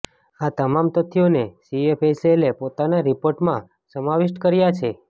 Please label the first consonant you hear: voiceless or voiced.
voiceless